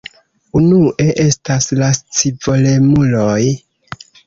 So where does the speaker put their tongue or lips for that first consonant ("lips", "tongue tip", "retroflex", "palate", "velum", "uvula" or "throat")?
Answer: tongue tip